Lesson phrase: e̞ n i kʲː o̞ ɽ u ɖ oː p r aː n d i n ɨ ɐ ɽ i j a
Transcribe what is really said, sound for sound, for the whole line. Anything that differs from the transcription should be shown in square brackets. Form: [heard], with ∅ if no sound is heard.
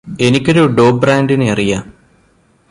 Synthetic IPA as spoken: e̞ n i kʲː o̞ [ɾ] u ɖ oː [b] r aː n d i n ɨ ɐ [r] i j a